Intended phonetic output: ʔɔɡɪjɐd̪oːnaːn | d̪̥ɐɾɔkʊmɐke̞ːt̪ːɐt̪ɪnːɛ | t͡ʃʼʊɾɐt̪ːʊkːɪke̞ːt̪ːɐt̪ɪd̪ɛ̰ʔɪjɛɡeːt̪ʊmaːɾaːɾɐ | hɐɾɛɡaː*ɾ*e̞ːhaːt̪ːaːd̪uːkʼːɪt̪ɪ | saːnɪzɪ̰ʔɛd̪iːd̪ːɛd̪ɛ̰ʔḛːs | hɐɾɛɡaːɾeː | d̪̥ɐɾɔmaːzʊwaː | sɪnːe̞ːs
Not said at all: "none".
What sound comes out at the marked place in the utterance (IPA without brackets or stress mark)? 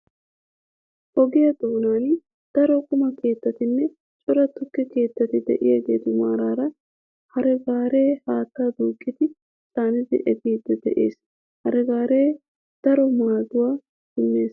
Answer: ɾ